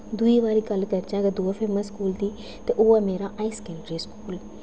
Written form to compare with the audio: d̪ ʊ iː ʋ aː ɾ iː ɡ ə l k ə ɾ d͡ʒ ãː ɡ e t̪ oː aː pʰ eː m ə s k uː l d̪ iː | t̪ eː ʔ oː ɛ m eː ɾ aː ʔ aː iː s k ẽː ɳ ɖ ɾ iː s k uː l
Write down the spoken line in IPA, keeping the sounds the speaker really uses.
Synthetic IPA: d̪ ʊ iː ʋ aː ɾ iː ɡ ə l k ə ɾ d͡ʒ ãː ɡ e d̪ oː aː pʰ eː m ə s k uː l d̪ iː | t̪ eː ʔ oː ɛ m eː ɾ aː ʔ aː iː s k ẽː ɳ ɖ ɾ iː s k uː l